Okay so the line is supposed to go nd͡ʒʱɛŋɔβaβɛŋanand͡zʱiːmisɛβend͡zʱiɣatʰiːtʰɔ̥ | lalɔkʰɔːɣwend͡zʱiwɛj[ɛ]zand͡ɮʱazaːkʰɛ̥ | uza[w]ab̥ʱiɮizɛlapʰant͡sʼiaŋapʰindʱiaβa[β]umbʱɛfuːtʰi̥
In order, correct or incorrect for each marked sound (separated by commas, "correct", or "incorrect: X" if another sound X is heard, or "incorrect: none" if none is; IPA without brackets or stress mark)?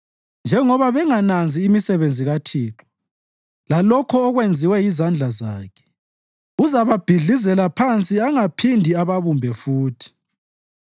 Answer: incorrect: i, incorrect: β, correct